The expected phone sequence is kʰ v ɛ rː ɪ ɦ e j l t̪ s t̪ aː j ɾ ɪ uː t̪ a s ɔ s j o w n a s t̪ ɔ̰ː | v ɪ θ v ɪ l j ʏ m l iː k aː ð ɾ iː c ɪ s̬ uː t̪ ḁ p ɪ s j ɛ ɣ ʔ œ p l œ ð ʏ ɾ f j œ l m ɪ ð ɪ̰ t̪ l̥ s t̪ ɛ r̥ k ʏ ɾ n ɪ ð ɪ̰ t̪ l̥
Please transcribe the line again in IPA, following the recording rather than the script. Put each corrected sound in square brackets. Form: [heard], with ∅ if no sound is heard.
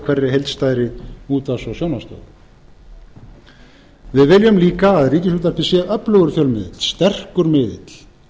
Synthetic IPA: kʰ v ɛ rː ɪ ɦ e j l t̪ s t̪ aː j ɾ ɪ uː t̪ a s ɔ s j o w n a s t̪ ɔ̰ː | v ɪ [ð] v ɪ l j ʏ m l iː k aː ð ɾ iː c ɪ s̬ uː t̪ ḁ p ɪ s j ɛ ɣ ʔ œ p l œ [ɣ] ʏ ɾ f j œ l m ɪ ð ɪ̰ t̪ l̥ s t̪ ɛ r̥ k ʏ ɾ [m] ɪ ð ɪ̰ t̪ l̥